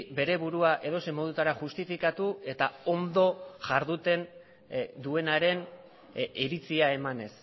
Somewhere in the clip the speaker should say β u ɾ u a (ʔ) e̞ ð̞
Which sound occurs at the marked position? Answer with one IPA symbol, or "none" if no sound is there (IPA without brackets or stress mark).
ʔ